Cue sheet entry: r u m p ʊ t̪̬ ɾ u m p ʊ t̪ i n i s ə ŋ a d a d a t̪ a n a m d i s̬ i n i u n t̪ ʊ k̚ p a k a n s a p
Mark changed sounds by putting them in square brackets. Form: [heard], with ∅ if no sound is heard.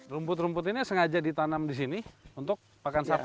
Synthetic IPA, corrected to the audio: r u m p ʊ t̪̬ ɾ u m p ʊ t̪ i n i s ə ŋ a [d͡ʒ] a d [i] t̪ a n a m d i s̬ i n i u n t̪ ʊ k̚ p a k a n s a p